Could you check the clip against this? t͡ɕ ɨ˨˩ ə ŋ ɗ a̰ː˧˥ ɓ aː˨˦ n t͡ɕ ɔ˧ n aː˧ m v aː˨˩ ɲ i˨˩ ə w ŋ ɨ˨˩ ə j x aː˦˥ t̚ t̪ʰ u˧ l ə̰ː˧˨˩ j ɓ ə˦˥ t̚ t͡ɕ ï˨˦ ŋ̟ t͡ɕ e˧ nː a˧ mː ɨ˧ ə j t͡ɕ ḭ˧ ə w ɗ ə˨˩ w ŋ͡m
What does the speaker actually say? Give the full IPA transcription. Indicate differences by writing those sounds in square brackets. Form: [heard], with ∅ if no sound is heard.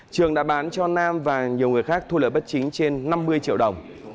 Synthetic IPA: t͡ɕ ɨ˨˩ ə ŋ ɗ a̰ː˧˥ ɓ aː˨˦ n t͡ɕ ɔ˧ n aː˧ m v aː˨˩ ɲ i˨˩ ə w ŋ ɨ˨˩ ə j x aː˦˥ [k̚] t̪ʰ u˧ l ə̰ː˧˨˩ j ɓ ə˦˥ t̚ t͡ɕ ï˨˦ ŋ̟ t͡ɕ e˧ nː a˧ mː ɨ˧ ə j t͡ɕ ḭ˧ ə w ɗ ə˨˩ w ŋ͡m